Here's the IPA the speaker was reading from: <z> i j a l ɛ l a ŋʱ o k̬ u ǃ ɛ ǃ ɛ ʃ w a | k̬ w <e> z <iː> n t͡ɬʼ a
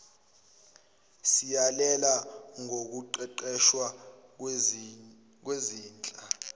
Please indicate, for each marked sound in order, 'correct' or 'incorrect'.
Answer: incorrect: s, correct, correct

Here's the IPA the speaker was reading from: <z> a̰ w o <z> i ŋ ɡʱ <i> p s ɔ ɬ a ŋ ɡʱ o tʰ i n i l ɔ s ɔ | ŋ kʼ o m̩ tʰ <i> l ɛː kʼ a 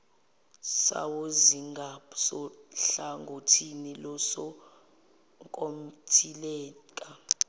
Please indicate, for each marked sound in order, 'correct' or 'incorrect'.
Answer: incorrect: s, correct, incorrect: a, correct

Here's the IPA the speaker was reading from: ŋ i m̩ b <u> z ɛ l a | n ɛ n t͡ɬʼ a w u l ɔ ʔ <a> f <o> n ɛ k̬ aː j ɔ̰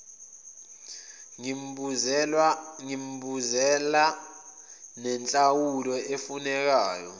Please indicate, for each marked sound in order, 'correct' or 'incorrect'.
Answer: correct, incorrect: e, incorrect: u

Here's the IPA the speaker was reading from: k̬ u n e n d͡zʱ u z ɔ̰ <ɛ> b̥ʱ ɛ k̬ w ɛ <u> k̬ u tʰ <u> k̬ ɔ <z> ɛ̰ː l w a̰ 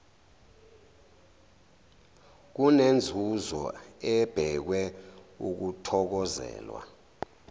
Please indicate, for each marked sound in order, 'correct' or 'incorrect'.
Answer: correct, correct, incorrect: ɔ, correct

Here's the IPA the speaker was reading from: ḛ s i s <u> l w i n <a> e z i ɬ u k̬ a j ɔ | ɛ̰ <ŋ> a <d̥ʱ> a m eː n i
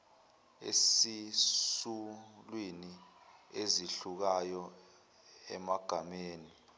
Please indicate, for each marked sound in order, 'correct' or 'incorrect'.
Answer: correct, incorrect: i, incorrect: m, incorrect: ɡ̥ʱ

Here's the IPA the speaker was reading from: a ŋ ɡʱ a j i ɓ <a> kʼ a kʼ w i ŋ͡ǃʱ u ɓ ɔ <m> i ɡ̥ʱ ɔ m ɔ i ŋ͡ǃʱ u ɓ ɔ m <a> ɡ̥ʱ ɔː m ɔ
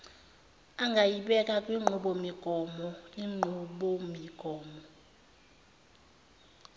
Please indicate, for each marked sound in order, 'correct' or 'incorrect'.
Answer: incorrect: ɛ, correct, incorrect: i

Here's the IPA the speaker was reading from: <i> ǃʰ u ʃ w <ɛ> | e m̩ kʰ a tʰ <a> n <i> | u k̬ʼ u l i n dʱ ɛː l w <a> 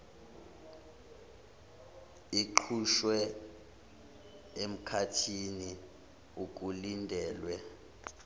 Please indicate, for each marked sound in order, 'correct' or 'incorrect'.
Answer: correct, correct, incorrect: i, correct, incorrect: ɛ

